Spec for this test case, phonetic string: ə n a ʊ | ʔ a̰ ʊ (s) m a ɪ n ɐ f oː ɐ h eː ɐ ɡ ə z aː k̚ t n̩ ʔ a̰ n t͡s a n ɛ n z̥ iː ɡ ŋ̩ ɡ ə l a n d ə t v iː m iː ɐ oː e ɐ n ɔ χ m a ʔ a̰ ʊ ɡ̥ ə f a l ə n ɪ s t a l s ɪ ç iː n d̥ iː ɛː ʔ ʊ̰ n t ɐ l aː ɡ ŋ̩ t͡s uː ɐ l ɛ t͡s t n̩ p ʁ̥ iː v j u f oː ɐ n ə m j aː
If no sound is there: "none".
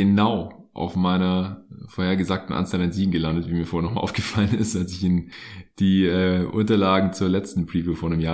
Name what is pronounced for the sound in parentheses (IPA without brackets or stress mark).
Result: f